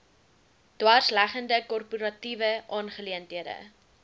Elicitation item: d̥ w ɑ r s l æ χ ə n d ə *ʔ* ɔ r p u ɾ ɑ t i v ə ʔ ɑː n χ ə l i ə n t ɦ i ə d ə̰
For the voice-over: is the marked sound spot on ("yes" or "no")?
no